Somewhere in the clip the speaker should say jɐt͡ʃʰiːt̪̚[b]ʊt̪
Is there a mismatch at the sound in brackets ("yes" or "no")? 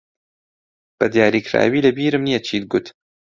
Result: yes